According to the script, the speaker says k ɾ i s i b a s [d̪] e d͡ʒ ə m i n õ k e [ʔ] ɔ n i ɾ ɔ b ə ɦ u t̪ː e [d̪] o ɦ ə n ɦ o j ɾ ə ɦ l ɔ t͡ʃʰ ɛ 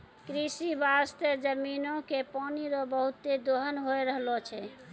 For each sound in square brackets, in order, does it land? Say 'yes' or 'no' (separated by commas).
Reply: no, no, yes